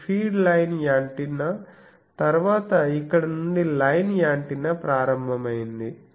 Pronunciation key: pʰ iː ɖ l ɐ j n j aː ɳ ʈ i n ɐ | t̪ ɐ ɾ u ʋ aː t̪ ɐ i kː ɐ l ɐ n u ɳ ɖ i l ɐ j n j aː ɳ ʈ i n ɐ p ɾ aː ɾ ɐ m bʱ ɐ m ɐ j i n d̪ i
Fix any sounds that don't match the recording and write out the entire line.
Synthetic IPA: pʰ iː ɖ l ɐ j n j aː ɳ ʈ i n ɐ | t̪ ɐ ɾ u ʋ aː t̪ ɐ i kː ɐ ɽ ɐ n u ɳ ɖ i l ɐ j n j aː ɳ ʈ i n ɐ p ɾ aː ɾ ɐ m bʱ ɐ m ɐ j i n d̪ i